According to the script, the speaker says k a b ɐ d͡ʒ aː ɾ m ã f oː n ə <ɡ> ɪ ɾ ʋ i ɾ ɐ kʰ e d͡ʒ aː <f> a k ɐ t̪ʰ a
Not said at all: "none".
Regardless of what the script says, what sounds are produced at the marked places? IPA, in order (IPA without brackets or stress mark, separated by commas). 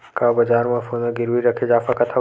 ɡ, f